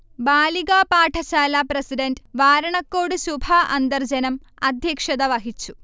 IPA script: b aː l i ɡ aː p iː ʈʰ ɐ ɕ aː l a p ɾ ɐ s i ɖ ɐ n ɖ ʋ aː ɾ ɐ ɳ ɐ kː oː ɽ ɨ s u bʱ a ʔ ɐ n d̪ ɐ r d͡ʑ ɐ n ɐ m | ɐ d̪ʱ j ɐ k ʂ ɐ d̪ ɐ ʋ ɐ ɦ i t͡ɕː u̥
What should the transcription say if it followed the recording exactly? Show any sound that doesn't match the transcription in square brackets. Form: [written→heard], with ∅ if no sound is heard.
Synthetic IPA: b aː l i ɡ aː p [iː→aː] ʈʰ ɐ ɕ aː l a p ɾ ɐ s i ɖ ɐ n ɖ ʋ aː ɾ ɐ ɳ ɐ kː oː ɽ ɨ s u bʱ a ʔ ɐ n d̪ ɐ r d͡ʑ ɐ n ɐ m | ɐ d̪ʱ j ɐ k ʂ ɐ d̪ ɐ ʋ ɐ ɦ i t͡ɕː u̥

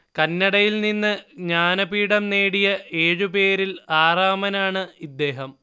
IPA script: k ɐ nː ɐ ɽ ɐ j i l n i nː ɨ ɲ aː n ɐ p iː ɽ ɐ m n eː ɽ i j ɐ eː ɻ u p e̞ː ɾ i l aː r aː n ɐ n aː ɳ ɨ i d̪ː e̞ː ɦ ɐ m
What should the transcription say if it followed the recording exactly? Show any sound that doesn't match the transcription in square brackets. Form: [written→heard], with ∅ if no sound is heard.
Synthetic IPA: k ɐ nː ɐ ɽ ɐ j i l n i nː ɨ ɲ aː n ɐ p iː ɽ ɐ m n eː ɽ i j ɐ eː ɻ u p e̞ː ɾ i l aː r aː [n→m] ɐ n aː ɳ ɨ i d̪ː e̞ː ɦ ɐ m

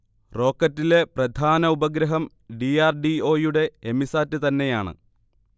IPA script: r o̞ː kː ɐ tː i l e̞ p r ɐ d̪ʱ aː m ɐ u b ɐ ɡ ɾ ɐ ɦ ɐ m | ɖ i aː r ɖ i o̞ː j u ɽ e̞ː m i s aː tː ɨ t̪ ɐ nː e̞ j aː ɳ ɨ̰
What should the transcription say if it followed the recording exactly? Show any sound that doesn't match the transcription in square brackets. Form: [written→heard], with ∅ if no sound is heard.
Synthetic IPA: r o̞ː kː ɐ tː i l e̞ p r ɐ d̪ʱ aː [m→n] ɐ u b ɐ ɡ ɾ ɐ ɦ ɐ m | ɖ i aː r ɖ i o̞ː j u ɽ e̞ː m i s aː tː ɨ t̪ ɐ nː e̞ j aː ɳ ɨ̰

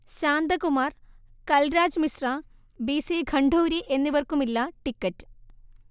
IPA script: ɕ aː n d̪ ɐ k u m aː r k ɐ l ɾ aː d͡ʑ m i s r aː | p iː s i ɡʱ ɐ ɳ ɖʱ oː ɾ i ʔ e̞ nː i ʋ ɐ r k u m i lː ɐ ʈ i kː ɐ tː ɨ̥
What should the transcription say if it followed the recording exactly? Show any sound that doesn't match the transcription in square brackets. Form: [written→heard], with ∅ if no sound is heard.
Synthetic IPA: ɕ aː n d̪ ɐ k u m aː r k ɐ l ɾ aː d͡ʑ m i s r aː | [p→b] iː s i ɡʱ ɐ ɳ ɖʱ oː ɾ i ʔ e̞ nː i ʋ ɐ r k u m i lː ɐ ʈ i kː ɐ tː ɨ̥

